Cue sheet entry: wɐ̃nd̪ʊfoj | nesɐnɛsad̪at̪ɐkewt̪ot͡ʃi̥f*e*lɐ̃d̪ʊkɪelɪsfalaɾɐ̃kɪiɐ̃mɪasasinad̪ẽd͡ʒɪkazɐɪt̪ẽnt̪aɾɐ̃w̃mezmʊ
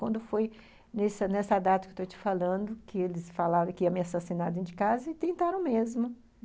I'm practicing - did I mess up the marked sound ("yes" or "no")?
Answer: yes